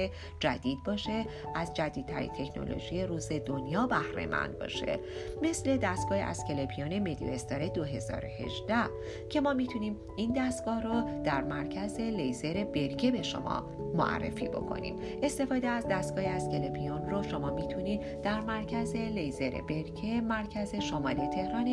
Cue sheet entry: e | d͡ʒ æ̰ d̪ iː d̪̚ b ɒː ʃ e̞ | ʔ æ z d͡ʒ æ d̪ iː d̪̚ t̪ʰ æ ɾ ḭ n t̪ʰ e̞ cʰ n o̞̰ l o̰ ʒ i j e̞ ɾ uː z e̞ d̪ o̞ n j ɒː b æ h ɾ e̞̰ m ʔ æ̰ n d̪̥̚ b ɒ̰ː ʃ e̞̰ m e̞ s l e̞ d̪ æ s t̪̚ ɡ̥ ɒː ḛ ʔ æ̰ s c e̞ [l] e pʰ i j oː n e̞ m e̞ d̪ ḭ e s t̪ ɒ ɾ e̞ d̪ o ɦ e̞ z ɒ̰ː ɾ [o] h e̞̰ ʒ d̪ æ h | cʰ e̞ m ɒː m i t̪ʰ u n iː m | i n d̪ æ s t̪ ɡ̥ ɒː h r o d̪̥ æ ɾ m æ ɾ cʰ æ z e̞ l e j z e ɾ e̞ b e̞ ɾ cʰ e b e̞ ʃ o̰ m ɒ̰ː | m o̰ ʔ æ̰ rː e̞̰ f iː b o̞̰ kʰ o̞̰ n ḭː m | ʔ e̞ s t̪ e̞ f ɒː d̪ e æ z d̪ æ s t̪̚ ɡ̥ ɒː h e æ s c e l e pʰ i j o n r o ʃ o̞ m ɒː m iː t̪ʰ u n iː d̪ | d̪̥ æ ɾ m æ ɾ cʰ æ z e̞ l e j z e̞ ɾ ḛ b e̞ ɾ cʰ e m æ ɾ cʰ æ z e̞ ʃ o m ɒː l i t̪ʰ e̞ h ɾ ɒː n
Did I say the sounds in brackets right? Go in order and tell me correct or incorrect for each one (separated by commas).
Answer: correct, correct